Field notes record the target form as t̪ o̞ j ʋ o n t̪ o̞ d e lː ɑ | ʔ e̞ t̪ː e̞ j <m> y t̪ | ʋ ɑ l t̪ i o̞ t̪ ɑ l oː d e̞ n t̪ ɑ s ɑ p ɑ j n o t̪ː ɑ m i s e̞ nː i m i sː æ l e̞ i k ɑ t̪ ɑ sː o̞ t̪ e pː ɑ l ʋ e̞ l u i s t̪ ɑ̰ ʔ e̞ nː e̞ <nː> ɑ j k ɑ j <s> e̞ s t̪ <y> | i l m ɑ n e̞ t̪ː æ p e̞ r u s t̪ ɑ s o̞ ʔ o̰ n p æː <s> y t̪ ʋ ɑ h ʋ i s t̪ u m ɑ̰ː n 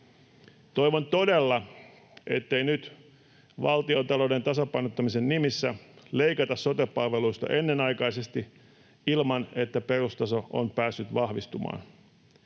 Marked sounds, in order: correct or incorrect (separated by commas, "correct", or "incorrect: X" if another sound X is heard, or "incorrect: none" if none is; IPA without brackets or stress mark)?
incorrect: n, incorrect: n, correct, incorrect: i, incorrect: sː